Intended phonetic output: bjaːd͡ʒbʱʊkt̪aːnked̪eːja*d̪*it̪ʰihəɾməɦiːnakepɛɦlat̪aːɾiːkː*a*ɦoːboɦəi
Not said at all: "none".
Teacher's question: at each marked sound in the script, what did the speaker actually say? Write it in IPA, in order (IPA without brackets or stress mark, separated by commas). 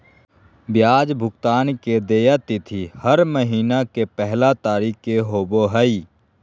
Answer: t̪, e